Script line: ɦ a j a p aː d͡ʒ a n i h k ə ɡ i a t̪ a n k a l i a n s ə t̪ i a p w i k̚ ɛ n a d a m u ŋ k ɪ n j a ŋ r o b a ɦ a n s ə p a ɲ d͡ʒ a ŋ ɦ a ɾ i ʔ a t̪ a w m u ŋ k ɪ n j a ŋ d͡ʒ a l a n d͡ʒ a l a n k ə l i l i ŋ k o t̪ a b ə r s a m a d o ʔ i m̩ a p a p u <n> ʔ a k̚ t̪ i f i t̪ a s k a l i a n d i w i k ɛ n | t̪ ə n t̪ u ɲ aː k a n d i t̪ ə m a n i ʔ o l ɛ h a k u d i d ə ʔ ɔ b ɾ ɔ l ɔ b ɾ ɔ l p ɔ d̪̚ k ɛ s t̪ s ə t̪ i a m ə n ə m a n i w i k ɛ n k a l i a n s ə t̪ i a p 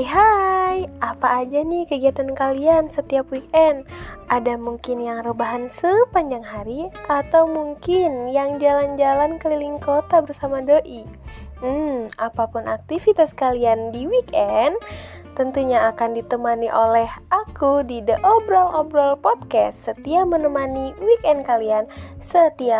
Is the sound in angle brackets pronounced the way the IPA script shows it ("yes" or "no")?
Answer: yes